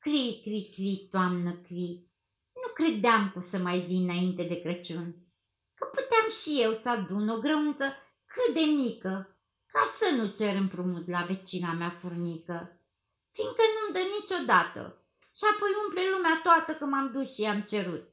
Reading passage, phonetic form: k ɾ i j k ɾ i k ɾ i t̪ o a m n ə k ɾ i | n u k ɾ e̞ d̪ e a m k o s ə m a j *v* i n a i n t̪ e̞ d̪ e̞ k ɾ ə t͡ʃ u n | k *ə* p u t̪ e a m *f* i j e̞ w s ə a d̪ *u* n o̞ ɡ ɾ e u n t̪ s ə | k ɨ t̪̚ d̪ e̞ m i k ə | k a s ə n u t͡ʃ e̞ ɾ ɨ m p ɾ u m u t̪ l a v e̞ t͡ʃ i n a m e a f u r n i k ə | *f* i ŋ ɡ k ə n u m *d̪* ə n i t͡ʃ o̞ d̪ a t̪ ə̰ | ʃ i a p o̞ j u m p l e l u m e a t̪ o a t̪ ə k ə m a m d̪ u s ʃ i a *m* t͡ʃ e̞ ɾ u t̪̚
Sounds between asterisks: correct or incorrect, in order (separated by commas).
correct, correct, incorrect, correct, correct, correct, correct